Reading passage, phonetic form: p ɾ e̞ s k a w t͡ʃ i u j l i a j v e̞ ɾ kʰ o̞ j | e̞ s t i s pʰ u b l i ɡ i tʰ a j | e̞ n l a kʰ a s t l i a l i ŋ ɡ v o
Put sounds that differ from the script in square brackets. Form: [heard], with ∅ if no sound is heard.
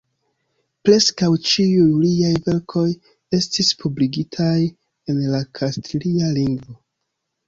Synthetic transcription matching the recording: p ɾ e̞ s k a w t͡ʃ i u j l i a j v e̞ ɾ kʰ o̞ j | e̞ s t i s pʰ u b l i ɡ i tʰ a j | e̞ n l a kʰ a s t l i a l i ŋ ɡ v o